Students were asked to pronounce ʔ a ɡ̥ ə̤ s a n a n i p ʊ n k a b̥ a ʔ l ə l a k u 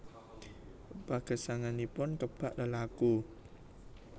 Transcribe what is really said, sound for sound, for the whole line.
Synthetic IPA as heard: p a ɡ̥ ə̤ s a ŋ a n i p ʊ n k ə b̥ a ʔ l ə l a k u